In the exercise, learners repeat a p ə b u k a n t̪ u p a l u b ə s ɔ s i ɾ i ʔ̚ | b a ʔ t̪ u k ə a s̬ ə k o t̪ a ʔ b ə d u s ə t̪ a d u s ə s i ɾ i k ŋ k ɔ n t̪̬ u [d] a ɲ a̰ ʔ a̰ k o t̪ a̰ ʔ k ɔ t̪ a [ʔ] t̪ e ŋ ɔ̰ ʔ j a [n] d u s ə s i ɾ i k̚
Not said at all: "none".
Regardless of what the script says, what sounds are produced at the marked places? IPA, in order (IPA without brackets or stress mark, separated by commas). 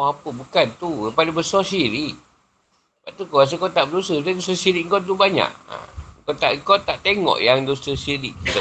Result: b, ʔ, ŋ